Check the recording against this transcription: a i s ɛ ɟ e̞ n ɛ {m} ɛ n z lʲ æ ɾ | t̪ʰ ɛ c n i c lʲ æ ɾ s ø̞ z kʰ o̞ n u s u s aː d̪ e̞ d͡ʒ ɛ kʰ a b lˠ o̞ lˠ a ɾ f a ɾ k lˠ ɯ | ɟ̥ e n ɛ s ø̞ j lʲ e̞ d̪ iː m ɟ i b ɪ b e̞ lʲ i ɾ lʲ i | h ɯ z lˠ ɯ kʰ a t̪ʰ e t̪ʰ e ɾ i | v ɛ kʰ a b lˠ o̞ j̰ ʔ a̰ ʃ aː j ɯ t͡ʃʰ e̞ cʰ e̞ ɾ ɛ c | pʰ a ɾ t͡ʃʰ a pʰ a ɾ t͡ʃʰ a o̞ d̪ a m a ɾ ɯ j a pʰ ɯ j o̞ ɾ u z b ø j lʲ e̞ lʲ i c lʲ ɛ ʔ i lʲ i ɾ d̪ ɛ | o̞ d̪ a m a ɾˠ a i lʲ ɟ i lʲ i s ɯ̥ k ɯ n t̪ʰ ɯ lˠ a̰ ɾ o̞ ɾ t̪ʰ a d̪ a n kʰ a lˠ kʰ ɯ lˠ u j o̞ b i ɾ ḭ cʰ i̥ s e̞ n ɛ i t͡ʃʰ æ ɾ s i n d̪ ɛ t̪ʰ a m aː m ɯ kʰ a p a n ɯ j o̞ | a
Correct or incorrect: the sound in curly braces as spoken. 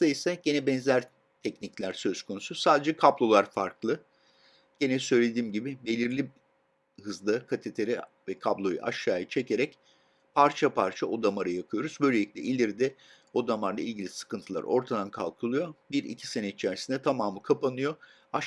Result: incorrect: b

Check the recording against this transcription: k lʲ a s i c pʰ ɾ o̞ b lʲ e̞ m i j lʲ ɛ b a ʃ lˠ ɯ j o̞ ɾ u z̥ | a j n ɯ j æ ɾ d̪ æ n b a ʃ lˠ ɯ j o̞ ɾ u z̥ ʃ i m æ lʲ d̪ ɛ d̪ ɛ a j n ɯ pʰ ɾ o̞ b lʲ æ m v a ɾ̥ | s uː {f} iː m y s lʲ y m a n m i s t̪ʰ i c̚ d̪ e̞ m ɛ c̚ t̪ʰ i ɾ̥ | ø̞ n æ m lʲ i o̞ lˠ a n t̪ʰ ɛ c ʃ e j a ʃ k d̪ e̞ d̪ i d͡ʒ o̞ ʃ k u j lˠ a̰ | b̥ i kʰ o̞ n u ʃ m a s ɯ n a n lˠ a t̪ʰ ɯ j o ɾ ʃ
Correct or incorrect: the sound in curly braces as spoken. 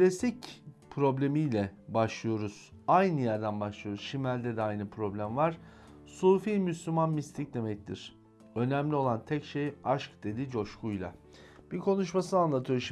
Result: correct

